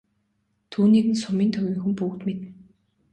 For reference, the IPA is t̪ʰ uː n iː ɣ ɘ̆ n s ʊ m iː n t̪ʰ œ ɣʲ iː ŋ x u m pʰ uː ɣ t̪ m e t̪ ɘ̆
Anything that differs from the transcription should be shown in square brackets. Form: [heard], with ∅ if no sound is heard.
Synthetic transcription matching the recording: t̪ʰ uː n iː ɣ ɘ̆ n s ʊ m iː n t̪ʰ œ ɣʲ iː ŋ x u m [p] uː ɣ t̪ m e t̪ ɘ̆